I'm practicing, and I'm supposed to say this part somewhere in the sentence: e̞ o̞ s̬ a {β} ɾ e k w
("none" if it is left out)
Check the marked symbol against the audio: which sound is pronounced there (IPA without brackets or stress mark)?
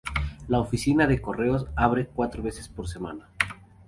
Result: β